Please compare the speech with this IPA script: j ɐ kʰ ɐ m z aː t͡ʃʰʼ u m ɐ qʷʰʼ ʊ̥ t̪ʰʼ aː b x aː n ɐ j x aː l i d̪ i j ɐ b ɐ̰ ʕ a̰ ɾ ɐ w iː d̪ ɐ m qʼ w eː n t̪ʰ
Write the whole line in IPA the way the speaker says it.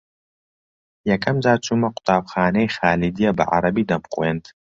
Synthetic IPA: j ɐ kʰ ɐ m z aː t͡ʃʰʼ u m ɐ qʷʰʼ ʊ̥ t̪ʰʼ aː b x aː n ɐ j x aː l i d̪ i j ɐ b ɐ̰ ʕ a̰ ɾ ɐ b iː d̪ ɐ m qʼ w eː n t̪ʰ

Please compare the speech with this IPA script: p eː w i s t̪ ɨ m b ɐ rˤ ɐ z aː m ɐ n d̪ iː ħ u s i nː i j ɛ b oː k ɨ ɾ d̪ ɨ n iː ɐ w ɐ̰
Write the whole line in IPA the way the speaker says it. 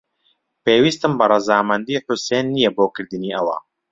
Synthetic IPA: p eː w i s t̪ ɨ m b ɐ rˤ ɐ z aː m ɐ n d̪ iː ħ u s e nː i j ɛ b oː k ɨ ɾ d̪ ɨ n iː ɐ w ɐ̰

